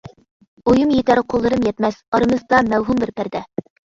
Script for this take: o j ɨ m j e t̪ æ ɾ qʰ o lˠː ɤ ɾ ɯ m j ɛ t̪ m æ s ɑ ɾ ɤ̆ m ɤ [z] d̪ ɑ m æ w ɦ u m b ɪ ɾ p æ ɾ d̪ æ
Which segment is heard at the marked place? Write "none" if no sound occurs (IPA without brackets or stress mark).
z